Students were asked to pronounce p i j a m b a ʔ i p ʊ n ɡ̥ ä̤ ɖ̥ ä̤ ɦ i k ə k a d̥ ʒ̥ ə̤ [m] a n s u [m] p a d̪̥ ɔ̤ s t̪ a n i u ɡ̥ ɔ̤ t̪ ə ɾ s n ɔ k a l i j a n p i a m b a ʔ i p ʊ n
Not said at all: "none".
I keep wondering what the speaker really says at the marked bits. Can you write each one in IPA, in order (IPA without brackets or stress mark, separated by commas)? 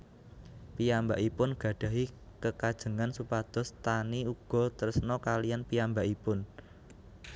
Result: ŋ, none